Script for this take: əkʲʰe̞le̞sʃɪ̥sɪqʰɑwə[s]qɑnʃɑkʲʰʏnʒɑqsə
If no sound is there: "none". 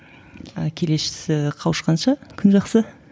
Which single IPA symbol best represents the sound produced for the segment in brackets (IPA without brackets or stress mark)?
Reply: ʃ